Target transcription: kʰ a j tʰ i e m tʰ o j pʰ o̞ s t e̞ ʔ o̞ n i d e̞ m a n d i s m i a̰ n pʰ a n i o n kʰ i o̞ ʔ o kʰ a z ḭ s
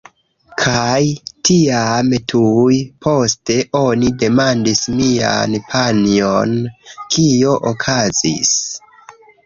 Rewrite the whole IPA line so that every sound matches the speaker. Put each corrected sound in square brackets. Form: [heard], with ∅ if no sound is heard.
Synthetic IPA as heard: kʰ a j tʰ i [a] m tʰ [u] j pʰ o̞ s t e̞ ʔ o̞ n i d e̞ m a n d i s m i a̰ n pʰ a n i o n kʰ i o̞ ʔ o kʰ a z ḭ s